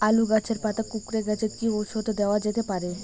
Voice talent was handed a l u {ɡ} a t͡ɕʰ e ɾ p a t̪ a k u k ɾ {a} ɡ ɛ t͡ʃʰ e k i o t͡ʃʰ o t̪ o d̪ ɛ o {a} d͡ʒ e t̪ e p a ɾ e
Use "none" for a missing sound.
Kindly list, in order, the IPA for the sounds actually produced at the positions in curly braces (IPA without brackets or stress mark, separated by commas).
ɡ, e, a